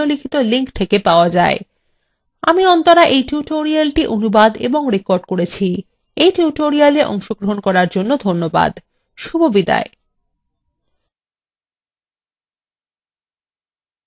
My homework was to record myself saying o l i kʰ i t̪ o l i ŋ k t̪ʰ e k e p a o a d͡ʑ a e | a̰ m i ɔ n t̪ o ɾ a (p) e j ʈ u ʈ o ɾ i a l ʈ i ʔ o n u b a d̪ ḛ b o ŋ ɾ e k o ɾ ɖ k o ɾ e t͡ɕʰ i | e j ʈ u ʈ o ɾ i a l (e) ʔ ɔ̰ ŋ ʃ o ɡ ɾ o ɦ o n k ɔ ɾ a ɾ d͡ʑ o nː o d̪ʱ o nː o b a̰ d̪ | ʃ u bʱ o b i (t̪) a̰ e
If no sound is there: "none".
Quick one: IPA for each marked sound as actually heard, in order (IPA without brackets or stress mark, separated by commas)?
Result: ʔ, e, d̪